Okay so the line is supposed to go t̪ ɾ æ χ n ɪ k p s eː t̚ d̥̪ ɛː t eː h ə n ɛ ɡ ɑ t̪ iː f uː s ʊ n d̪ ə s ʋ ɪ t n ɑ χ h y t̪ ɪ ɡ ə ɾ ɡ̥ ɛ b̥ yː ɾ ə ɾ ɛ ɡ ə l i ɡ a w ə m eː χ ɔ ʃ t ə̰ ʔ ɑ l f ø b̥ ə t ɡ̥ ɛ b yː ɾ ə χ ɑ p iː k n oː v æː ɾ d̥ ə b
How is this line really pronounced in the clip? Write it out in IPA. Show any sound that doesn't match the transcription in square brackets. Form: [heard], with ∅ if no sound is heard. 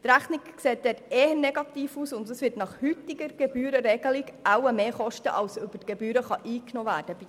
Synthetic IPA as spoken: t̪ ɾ æ χ n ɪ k [k] s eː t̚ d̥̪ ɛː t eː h ə n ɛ ɡ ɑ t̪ iː f uː s ʊ n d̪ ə s ʋ ɪ t n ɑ χ h y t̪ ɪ ɡ ə ɾ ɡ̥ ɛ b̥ yː ɾ ə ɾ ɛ ɡ ə l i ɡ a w ə m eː χ ɔ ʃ t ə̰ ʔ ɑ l [s] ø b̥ ə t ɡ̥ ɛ b yː ɾ ə χ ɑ [ʔ] iː k n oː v æː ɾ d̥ ə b